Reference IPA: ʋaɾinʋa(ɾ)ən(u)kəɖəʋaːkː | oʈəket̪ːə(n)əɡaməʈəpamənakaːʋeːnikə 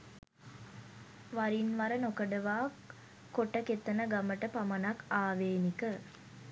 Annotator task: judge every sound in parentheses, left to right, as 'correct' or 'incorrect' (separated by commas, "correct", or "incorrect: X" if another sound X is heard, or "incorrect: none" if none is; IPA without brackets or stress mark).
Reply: correct, incorrect: o, correct